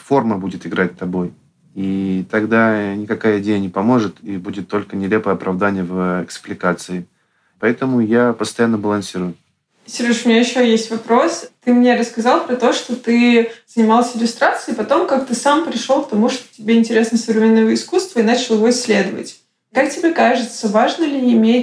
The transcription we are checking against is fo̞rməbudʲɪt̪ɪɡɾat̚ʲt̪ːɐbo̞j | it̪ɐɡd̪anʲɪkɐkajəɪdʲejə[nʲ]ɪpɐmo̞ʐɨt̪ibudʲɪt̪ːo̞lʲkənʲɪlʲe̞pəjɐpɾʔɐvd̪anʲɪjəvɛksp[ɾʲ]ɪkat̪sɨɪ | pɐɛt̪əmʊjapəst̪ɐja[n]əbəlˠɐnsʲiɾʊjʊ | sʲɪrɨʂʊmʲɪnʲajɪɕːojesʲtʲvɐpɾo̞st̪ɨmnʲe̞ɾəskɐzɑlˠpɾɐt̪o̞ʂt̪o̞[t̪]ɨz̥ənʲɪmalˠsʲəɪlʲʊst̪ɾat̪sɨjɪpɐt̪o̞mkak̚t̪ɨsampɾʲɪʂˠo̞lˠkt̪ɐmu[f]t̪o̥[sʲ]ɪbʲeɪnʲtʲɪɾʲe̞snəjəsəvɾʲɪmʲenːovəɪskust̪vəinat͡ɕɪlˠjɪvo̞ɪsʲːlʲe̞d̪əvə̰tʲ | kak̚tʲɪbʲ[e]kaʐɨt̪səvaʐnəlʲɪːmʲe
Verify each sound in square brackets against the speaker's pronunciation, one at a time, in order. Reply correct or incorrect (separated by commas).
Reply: correct, incorrect, incorrect, correct, incorrect, incorrect, correct